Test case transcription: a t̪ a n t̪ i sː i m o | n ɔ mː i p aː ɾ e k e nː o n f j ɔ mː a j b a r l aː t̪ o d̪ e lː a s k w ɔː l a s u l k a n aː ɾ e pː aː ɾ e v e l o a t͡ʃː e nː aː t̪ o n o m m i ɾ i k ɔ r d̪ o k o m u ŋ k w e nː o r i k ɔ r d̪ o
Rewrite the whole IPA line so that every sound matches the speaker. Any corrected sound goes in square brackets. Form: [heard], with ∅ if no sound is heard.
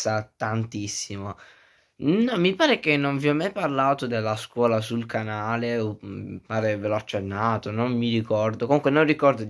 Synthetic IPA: a t̪ a n t̪ i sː i m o | n ɔ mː i p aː ɾ e k e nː o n [v] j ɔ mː a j [p] a r l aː t̪ o d̪ e lː a s k w ɔː l a s u l k a n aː [l] e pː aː ɾ e v e l o a t͡ʃː e nː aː t̪ o n o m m i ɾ i k ɔ r d̪ o k o m u ŋ k w e [n] o r i k ɔ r d̪ o